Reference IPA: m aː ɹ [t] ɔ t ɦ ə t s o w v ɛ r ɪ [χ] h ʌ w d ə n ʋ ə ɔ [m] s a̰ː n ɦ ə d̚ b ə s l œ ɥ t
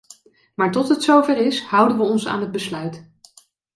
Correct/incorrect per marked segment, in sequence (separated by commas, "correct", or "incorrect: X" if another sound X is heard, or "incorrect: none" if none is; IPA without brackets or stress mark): correct, incorrect: s, incorrect: n